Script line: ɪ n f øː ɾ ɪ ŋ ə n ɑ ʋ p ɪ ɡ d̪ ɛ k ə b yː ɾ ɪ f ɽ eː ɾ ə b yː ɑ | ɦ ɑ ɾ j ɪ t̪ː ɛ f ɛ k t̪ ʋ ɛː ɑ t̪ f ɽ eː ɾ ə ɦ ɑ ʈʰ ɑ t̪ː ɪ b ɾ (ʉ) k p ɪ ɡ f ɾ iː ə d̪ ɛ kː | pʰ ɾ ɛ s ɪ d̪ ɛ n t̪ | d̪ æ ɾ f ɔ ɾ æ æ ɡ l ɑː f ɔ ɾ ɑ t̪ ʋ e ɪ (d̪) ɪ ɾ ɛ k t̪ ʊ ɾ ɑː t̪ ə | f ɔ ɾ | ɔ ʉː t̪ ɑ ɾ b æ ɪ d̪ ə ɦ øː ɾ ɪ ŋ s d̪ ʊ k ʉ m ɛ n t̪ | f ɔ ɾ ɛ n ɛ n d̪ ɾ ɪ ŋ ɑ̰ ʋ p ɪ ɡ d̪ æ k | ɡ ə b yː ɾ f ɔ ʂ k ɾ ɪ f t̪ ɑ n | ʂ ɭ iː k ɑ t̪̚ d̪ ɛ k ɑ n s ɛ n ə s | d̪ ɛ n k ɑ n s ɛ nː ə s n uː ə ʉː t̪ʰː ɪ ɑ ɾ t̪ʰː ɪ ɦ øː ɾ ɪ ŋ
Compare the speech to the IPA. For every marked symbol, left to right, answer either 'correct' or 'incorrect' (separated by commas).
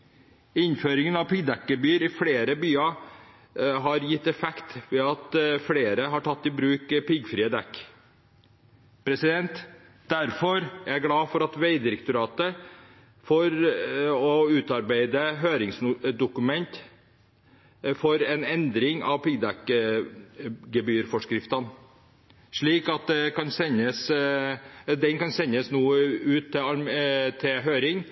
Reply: incorrect, correct